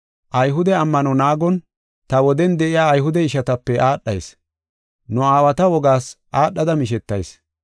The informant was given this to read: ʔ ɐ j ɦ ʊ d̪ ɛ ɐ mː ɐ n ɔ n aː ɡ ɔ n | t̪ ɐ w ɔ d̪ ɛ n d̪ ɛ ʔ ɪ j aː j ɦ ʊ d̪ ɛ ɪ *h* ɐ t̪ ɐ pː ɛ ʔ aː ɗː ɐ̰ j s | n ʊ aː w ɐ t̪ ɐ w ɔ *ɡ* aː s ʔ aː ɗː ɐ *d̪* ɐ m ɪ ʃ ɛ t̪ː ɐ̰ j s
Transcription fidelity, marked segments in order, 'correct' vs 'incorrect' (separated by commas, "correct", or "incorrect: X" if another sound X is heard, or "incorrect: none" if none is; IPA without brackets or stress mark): incorrect: ʃ, correct, correct